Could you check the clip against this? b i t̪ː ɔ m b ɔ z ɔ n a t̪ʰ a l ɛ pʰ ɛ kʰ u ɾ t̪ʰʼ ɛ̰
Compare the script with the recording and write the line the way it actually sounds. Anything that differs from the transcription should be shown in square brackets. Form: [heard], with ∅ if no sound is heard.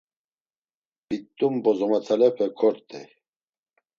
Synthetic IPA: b i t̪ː [u] m b ɔ z ɔ [m] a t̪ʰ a l ɛ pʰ ɛ kʰ [ɔ] ɾ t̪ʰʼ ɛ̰